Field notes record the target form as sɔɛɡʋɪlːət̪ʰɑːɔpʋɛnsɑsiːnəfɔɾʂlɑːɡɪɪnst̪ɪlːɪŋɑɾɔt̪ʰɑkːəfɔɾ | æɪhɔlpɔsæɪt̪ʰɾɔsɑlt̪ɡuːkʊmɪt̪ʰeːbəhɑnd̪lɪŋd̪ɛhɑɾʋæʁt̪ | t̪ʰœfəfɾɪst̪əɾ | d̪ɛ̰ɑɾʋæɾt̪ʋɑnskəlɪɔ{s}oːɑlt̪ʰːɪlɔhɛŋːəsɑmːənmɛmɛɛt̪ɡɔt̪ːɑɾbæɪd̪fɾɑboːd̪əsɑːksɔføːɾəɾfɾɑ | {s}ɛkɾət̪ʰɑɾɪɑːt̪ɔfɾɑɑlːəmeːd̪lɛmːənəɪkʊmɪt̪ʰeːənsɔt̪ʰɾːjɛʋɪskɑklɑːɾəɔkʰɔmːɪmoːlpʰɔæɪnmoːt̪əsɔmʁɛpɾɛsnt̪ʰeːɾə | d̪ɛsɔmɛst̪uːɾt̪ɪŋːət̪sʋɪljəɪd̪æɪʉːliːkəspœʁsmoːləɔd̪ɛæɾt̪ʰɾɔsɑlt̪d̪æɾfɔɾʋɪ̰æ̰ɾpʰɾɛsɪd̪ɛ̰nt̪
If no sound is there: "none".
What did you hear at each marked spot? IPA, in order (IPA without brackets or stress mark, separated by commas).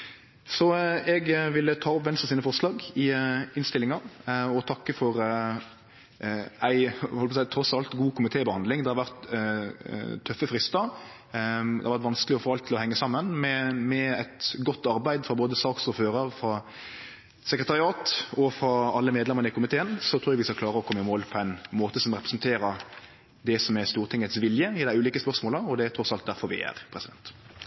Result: f, s